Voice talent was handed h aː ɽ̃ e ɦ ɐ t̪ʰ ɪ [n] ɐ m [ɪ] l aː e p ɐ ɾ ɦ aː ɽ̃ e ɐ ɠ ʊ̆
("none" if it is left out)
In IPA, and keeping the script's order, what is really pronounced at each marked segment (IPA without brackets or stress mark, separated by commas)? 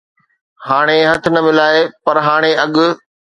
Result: n, ɪ